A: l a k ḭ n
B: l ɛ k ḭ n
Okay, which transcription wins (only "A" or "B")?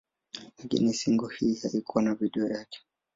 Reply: A